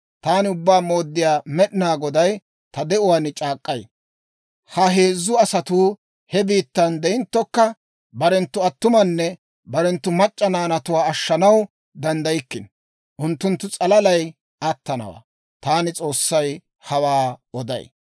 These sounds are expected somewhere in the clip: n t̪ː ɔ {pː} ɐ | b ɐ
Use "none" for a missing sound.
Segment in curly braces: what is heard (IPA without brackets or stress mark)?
kː